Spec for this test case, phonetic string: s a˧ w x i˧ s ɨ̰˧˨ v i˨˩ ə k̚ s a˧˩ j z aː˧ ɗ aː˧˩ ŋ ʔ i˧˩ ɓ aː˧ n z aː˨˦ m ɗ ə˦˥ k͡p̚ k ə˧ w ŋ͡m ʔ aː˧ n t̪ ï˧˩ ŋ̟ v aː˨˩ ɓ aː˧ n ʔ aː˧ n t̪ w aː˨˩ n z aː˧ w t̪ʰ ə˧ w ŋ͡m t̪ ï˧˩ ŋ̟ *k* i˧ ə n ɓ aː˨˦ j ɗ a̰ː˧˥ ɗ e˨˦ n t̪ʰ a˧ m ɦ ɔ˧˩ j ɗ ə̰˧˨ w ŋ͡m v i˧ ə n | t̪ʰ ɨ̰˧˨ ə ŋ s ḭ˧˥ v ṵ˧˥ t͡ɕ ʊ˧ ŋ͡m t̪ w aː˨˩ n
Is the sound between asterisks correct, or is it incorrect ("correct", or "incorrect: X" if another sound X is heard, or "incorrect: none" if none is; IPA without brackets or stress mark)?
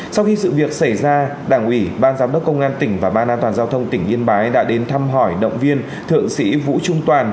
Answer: incorrect: ʔ